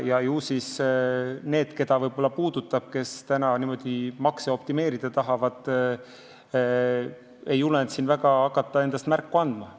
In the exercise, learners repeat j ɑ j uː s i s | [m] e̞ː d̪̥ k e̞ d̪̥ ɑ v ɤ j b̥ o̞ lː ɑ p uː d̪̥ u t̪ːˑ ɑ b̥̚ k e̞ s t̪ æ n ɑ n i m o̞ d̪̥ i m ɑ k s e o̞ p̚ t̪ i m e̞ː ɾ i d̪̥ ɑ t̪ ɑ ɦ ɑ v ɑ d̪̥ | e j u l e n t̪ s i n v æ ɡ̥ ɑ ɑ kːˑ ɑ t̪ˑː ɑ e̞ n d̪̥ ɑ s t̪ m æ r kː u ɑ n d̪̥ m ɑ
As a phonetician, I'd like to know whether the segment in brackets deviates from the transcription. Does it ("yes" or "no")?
yes